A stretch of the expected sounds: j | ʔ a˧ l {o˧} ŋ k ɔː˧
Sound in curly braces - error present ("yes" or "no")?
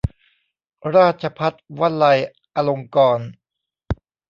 no